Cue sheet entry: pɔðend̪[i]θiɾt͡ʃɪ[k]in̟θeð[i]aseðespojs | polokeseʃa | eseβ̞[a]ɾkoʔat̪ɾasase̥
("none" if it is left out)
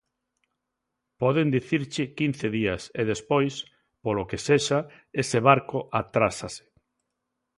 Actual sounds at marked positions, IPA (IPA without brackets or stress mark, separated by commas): i, k, i, a